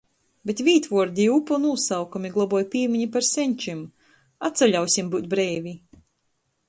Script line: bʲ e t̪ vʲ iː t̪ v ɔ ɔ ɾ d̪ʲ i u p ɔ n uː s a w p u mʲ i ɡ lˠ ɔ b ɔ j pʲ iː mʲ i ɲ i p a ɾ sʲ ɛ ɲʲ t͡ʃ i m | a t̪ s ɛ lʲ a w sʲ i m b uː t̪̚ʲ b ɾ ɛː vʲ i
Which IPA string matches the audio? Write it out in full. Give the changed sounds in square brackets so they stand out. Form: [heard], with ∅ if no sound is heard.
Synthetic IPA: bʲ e t̪ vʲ iː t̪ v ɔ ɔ ɾ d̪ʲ i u p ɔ n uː s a w [k] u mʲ i ɡ lˠ ɔ b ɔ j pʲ iː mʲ i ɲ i p a ɾ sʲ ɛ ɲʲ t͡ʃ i m | a t̪ s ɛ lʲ a w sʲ i m b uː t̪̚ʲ b ɾ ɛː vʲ i